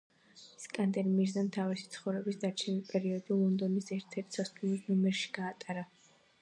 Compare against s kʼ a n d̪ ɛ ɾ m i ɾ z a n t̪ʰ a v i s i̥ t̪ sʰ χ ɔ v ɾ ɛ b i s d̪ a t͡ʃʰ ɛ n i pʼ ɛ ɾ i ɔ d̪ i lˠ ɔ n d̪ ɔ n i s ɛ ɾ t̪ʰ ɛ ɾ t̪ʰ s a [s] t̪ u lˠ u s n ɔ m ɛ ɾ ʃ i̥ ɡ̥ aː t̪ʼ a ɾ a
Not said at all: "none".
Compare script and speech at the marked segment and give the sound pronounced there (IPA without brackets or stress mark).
s